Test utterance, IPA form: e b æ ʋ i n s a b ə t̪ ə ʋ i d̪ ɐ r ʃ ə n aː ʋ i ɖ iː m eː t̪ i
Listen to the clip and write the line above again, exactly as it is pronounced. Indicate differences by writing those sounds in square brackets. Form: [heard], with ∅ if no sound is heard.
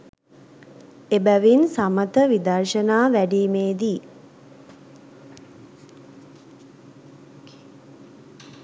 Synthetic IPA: e b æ ʋ i n s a [m] ə t̪ ə ʋ i d̪ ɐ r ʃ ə n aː ʋ [æ] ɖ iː m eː [d̪] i